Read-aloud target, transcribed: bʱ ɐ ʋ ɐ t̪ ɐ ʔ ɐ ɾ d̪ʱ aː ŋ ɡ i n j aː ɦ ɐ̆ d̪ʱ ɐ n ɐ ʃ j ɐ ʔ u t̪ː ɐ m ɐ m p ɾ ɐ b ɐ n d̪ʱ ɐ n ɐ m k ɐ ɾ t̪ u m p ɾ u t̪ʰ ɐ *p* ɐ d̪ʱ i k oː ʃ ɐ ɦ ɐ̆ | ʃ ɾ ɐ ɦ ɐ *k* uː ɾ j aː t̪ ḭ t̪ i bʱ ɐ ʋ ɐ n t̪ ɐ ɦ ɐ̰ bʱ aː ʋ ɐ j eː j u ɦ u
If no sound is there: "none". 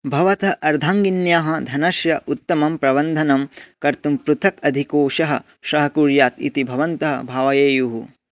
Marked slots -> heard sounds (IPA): k, k

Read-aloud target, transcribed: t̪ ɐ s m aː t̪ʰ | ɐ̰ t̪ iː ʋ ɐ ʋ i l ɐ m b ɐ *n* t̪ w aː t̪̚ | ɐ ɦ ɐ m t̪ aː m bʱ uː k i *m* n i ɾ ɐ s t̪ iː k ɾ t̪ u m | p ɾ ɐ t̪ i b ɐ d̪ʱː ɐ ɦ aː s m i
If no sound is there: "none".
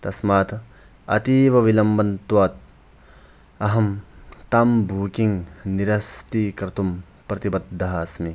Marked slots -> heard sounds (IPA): n, ŋ

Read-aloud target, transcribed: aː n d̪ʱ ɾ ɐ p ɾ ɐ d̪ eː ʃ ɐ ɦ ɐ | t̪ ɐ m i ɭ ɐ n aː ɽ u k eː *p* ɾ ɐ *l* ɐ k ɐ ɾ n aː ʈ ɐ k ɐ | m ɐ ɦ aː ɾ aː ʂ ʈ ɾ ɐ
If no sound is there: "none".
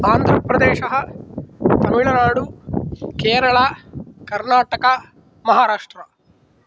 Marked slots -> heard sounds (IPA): none, ɭ

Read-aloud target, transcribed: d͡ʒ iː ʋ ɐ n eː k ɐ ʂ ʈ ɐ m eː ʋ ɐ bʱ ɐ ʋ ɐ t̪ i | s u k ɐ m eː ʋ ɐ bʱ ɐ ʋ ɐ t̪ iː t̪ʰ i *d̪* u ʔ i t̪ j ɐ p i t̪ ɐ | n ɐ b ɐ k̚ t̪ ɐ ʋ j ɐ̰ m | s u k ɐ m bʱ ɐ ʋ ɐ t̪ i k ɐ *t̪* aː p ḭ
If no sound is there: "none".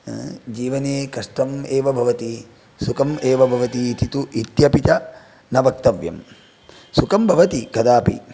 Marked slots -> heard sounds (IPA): t̪, d̪

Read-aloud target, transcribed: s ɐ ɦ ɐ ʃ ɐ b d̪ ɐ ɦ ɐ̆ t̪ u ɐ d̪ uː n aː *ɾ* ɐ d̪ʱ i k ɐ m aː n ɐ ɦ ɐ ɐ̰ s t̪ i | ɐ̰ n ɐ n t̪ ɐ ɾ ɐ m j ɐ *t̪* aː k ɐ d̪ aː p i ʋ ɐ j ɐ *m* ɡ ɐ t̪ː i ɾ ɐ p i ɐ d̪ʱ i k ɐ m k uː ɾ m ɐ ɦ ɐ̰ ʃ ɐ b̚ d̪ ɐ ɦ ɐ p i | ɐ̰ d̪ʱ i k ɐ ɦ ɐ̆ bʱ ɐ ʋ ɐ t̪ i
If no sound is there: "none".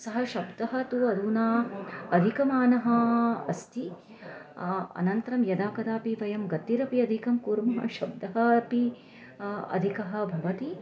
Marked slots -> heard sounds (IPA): none, d̪, m

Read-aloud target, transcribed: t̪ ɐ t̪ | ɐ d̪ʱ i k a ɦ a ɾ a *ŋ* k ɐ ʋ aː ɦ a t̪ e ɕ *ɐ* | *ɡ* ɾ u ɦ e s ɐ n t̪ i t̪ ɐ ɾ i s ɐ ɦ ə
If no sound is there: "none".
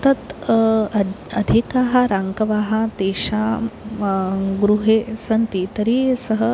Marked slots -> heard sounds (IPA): ŋ, a, ɡ

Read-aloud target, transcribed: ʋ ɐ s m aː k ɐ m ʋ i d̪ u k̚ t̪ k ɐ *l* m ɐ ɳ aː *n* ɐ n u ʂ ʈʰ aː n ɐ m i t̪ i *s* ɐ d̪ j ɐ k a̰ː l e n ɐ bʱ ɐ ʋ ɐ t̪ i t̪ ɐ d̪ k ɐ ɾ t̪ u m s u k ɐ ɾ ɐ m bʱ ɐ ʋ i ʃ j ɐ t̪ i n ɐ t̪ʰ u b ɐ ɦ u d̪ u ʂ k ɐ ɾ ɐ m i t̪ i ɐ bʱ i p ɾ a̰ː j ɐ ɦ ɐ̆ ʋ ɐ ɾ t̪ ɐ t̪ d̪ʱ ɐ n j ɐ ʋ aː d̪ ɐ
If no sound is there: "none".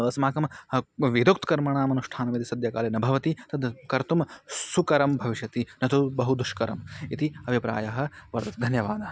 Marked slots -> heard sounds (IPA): ɾ, m, s

